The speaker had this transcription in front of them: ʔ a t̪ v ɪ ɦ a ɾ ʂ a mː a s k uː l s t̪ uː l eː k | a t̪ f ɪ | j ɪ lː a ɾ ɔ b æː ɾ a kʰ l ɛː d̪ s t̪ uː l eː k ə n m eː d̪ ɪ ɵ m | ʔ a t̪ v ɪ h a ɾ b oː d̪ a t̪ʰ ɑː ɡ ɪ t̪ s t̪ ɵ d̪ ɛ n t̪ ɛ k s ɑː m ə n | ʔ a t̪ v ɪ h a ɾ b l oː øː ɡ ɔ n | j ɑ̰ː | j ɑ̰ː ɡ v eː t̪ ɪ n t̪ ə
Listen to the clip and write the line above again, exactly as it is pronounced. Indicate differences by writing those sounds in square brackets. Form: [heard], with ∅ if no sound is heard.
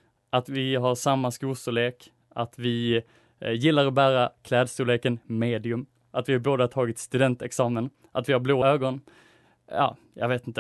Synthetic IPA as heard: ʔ a t̪ v ɪ ɦ a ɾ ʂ a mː a s k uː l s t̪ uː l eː k | a t̪ [v] ɪ | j ɪ lː a ɾ ɔ b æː ɾ a kʰ l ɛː d̪ s t̪ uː l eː k ə n m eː d̪ ɪ ɵ m | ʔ a t̪ v ɪ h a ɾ b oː d̪ a t̪ʰ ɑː ɡ ɪ t̪ s t̪ ɵ d̪ ɛ n t̪ ɛ k s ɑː m ə n | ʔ a t̪ v ɪ h a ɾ b l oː øː ɡ ɔ n | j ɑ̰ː | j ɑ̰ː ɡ v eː t̪ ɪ n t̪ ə